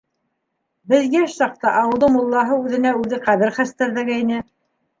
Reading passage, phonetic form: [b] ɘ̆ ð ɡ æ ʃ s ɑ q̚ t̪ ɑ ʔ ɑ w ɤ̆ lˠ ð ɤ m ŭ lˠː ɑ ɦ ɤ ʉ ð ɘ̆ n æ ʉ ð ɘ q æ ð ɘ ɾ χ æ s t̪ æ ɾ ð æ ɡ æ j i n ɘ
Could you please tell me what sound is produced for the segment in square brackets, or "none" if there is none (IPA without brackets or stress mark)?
b